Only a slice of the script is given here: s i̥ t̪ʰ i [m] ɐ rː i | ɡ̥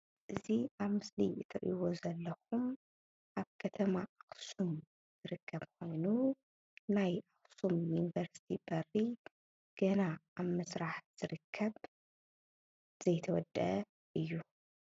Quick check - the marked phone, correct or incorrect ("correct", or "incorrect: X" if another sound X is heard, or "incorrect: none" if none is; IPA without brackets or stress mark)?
incorrect: b